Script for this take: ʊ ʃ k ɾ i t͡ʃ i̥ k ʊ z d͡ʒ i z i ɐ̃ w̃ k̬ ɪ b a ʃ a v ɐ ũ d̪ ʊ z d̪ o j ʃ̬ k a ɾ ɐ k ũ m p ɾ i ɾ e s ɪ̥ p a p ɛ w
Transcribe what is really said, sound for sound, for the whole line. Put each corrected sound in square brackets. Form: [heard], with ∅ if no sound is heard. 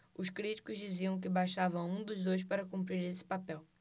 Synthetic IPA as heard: ʊ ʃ k ɾ i t͡ʃ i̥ k ʊ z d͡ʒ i z i ɐ̃ w̃ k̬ ɪ b a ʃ a v ɐ ũ d̪ ʊ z d̪ o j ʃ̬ [p] a ɾ ɐ k ũ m p ɾ i ɾ e s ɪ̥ p a p ɛ w